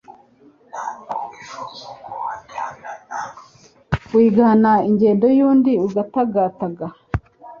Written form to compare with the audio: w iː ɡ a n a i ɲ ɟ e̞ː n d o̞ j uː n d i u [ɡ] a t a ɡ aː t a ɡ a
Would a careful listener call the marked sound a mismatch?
no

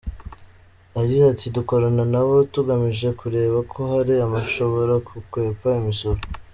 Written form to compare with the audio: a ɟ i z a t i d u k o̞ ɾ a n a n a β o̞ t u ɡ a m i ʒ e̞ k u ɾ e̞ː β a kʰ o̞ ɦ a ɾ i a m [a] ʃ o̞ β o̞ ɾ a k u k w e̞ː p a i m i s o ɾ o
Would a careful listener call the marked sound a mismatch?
no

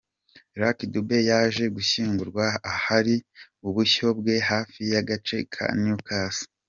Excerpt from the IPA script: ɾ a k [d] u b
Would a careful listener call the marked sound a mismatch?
no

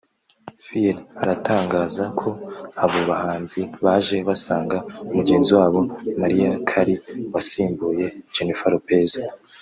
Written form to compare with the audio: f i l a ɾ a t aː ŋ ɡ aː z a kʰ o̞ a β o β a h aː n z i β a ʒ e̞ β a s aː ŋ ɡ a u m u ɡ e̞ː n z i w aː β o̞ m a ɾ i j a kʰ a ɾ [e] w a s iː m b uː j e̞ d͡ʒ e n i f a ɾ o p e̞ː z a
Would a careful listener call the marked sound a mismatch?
yes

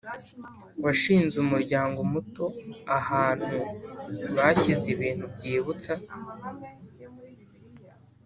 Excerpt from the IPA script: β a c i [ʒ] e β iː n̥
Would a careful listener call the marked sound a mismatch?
yes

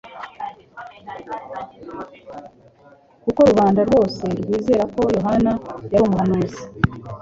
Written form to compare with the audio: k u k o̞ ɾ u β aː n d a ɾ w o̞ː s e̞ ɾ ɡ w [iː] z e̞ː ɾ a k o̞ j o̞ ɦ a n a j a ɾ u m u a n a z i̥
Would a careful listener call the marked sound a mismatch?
no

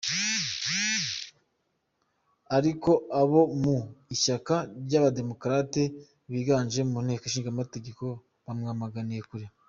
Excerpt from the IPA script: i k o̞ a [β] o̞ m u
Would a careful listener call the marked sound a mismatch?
no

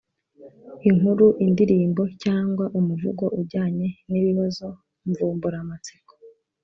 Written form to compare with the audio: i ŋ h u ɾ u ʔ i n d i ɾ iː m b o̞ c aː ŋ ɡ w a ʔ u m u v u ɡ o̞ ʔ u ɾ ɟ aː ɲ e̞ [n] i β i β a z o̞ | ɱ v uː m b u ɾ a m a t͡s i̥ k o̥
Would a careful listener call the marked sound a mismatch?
no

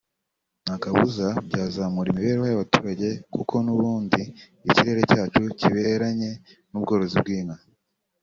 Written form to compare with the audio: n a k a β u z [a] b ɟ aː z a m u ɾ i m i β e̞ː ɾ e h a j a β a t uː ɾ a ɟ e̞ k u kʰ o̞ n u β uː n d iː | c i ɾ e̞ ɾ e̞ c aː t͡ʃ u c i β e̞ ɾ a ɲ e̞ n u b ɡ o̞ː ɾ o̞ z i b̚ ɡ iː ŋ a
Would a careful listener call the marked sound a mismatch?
no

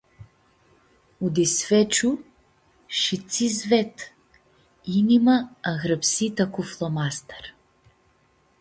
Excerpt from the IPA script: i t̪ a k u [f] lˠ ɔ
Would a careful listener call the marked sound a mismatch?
no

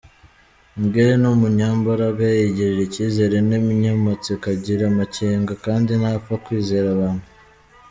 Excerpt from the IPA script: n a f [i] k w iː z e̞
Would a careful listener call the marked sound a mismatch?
yes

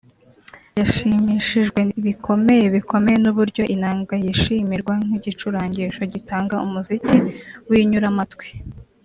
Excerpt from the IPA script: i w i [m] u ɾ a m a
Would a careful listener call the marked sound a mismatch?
yes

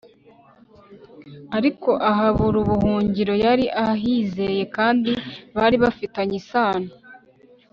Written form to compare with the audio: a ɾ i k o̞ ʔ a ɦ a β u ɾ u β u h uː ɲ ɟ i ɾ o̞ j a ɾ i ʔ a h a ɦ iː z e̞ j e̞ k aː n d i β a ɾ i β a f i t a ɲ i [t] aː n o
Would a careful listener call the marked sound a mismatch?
yes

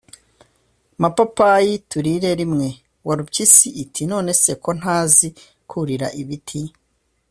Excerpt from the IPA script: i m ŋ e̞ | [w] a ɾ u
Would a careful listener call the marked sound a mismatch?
no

